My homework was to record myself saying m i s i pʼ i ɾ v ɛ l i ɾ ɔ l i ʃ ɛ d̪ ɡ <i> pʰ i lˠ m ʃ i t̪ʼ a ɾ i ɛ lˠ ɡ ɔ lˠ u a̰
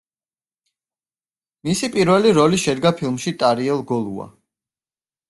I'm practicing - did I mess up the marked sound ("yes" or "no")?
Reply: yes